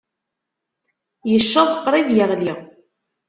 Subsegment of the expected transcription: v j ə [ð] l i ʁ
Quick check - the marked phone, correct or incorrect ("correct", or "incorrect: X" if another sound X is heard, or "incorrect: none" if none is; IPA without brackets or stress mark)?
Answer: incorrect: ʁ